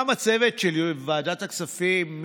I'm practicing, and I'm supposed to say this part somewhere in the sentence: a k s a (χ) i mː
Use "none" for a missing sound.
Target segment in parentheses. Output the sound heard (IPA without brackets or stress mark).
f